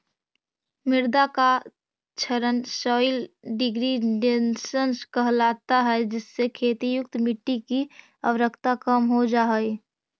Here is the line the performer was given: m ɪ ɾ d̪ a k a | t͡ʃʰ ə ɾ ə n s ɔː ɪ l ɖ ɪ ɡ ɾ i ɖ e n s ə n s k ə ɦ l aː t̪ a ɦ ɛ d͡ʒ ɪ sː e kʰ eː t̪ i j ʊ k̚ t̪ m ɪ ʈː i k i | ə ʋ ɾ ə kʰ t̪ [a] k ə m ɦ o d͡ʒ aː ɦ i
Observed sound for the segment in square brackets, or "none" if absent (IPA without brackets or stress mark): a